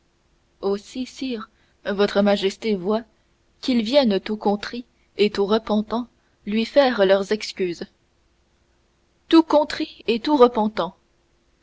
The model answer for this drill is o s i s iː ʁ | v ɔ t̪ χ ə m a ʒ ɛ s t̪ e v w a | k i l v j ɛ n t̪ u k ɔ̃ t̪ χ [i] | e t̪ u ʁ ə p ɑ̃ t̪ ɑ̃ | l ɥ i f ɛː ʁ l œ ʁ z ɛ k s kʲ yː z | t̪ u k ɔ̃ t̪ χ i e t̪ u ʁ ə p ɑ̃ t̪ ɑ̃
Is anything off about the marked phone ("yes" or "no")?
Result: no